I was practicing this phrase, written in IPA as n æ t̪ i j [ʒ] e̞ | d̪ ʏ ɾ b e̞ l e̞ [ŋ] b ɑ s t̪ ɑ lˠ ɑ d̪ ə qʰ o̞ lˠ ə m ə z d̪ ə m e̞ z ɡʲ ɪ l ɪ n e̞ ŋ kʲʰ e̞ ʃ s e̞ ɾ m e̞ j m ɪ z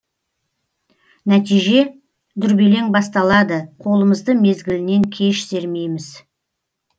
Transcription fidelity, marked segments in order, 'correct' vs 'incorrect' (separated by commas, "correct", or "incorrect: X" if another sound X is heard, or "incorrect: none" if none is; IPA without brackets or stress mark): correct, correct